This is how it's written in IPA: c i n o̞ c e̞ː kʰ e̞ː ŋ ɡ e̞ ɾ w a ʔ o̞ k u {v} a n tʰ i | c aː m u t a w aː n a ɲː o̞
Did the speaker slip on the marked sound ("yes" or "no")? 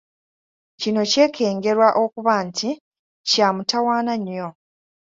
yes